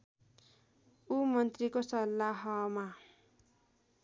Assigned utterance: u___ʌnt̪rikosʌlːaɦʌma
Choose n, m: m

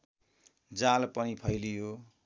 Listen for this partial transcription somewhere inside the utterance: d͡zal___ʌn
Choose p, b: p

